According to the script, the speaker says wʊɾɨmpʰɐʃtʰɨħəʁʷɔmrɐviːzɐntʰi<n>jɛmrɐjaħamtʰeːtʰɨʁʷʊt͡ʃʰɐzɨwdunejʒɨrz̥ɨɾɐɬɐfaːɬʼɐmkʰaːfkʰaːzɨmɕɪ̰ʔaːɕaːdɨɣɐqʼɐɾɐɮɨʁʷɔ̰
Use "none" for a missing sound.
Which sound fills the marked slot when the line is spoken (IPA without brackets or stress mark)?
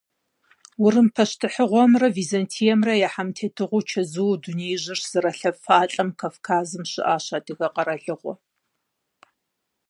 none